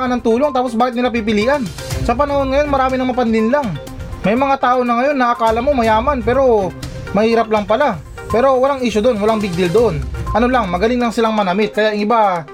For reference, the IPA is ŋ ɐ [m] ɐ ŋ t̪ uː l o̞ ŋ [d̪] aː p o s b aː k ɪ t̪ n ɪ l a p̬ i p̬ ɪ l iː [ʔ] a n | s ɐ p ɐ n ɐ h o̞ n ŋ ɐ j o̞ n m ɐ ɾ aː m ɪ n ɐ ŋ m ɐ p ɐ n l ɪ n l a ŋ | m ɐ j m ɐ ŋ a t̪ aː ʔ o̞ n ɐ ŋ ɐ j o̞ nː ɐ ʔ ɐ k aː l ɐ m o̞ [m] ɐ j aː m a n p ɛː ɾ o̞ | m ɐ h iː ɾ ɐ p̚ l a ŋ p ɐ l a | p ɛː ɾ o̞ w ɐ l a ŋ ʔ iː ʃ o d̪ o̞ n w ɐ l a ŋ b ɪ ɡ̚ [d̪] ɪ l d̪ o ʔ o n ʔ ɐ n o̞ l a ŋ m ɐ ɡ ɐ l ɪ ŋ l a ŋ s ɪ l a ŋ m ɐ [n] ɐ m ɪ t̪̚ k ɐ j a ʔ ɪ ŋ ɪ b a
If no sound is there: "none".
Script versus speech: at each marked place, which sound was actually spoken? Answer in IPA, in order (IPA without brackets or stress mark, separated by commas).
n, t̪, ʔ, m, d̪, n